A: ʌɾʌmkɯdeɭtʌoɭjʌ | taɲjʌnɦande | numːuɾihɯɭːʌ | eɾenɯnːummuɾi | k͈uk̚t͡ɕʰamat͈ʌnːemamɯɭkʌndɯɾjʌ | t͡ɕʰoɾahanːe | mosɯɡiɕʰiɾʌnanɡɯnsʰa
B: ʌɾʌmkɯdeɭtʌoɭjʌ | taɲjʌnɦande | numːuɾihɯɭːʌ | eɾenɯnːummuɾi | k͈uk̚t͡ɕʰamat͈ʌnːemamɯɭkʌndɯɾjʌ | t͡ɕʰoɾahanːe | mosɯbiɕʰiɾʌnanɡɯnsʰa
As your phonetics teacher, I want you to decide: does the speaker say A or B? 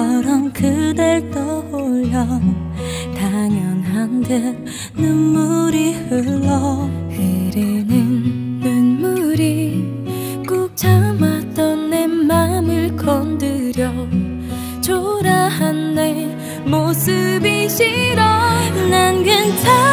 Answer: B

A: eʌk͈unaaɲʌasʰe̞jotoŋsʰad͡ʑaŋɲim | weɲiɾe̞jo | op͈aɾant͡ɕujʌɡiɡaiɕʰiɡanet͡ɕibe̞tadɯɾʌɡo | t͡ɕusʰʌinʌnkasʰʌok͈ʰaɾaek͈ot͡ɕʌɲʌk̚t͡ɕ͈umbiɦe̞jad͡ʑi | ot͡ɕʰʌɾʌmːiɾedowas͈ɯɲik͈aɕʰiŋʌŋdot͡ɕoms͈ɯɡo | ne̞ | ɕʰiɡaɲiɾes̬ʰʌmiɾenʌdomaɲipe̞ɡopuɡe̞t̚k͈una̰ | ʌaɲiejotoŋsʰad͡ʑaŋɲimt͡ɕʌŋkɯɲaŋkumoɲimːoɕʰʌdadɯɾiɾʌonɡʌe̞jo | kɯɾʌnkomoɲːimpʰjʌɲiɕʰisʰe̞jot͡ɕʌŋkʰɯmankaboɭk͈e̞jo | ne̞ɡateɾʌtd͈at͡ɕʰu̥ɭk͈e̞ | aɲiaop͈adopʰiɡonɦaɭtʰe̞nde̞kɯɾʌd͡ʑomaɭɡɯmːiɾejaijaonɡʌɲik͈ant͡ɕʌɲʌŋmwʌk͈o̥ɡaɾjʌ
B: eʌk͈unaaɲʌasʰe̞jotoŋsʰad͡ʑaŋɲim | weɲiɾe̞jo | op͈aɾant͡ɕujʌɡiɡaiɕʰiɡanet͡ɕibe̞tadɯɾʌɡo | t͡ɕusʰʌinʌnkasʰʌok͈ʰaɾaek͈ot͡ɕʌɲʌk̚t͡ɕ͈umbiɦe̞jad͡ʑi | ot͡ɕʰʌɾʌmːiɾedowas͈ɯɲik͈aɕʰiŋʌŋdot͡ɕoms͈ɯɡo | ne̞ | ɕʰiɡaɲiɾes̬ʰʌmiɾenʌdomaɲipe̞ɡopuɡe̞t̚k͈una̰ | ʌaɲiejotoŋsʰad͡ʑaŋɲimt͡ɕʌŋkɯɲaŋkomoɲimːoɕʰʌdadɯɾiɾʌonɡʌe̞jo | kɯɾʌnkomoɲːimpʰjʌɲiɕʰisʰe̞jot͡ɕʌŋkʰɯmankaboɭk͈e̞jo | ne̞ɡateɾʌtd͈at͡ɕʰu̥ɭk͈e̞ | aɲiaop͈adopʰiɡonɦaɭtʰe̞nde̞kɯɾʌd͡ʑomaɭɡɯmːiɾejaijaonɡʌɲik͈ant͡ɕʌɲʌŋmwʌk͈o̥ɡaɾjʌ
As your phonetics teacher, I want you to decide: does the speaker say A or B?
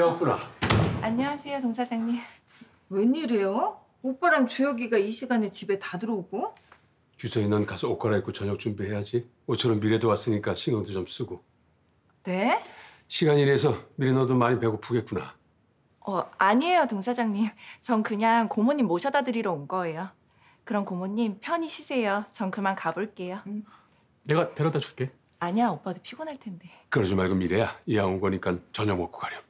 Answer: B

